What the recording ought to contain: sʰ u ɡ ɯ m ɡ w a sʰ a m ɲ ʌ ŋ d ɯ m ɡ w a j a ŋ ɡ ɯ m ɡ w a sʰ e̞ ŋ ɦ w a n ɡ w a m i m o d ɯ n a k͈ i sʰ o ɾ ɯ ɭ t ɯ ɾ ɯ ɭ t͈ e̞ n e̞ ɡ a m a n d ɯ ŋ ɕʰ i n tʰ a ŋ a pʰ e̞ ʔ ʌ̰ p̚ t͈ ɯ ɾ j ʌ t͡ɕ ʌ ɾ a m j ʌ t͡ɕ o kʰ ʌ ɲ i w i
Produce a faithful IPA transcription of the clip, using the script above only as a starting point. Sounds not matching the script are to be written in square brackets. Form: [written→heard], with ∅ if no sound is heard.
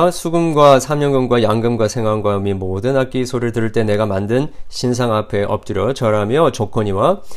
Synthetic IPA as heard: sʰ u ɡ ɯ m ɡ w a sʰ a m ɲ ʌ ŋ [d→ɡ] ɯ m ɡ w a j a ŋ ɡ ɯ m ɡ w a sʰ e̞ ŋ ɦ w a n ɡ w a m i m o d ɯ n a k͈ i sʰ o ɾ ɯ ɭ t ɯ ɾ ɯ ɭ t͈ e̞ n e̞ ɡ a m a n d ɯ [ŋ→n] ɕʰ i n [tʰ→sʰ] a ŋ a pʰ e̞ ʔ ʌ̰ p̚ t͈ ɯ ɾ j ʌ t͡ɕ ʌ ɾ a m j ʌ t͡ɕ o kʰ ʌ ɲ i w [i→a]